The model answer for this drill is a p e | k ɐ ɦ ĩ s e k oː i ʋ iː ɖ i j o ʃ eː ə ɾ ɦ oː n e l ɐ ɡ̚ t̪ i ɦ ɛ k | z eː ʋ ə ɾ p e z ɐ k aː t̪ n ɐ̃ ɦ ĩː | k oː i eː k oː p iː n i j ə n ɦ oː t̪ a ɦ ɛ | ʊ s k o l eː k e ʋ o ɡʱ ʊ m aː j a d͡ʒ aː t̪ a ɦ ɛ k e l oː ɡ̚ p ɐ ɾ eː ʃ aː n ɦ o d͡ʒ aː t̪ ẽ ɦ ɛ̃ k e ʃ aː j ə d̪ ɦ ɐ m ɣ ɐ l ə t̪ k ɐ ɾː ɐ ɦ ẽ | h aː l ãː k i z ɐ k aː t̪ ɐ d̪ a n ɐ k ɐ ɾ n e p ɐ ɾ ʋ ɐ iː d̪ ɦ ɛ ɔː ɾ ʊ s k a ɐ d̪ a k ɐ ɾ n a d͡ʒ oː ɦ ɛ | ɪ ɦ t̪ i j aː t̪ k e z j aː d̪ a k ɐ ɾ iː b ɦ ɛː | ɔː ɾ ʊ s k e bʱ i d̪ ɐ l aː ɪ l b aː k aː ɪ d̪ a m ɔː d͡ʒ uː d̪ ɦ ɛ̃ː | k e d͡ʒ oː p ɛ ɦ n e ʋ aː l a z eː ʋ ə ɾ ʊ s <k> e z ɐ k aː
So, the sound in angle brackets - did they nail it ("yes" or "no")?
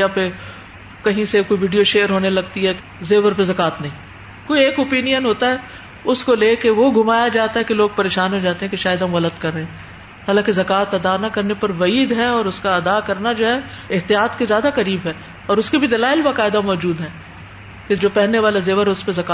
no